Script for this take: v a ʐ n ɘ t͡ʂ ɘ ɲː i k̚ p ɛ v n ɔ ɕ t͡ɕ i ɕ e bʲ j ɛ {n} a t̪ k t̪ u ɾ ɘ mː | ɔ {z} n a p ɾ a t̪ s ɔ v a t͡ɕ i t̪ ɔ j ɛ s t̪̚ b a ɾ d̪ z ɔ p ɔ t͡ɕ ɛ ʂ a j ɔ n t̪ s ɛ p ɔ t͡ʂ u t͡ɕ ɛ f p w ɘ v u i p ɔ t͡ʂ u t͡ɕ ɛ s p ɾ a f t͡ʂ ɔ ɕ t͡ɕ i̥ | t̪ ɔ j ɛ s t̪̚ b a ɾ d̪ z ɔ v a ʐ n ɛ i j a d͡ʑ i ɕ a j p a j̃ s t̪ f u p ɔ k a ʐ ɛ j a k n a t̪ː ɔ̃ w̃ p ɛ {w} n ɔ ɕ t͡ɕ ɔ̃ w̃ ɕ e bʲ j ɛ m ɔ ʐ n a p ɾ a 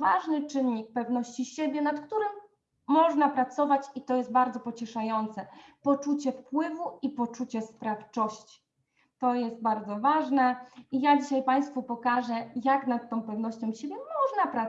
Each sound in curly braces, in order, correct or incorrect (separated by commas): correct, incorrect, incorrect